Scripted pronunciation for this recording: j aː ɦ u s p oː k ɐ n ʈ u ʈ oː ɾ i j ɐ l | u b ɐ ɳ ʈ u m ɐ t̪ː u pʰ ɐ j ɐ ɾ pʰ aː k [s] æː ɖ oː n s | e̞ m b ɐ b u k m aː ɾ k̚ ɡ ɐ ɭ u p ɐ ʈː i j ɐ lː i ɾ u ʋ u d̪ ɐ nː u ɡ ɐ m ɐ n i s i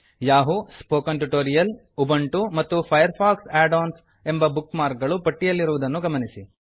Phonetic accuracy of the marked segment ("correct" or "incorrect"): correct